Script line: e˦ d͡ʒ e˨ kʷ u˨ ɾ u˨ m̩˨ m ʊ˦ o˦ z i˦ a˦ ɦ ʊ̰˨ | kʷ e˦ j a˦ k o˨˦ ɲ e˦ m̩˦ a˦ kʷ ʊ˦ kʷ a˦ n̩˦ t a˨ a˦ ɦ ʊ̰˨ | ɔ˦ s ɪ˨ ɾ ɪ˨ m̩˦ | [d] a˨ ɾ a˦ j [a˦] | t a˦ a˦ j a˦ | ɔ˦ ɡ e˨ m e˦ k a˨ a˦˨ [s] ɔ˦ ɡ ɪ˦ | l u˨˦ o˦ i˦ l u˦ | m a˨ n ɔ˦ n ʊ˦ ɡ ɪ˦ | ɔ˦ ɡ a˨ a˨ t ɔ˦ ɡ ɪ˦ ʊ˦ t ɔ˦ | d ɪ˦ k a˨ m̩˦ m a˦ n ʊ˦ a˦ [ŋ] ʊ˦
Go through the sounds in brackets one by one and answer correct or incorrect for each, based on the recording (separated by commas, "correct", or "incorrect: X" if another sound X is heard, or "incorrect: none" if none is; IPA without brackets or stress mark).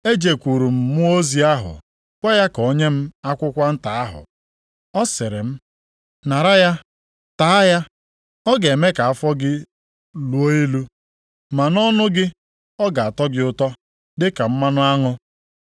incorrect: n, correct, incorrect: f, correct